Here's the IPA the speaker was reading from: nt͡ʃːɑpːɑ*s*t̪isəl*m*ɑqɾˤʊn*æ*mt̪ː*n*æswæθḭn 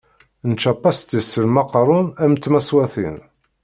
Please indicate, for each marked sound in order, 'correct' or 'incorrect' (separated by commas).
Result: correct, correct, correct, incorrect